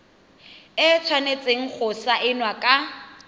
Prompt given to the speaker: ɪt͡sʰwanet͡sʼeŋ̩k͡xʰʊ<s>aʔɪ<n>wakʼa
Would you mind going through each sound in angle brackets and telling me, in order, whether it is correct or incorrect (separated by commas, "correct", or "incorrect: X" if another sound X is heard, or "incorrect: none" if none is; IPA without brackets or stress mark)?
correct, correct